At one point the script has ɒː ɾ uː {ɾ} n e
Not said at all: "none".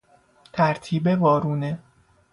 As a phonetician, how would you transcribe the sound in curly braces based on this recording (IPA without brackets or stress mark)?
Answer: none